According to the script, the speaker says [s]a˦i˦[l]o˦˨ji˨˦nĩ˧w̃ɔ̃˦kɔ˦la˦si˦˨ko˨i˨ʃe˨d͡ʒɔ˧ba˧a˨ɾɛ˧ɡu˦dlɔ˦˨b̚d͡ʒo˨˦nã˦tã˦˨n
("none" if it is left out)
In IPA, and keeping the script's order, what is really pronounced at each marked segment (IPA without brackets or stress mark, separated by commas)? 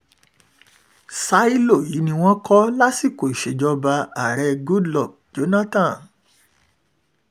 s, l